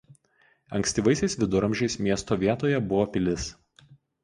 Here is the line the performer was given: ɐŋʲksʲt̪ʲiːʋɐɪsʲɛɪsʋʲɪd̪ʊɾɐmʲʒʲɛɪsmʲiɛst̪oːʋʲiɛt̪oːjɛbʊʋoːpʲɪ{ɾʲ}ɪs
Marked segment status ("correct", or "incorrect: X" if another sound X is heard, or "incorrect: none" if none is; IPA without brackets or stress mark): incorrect: lʲ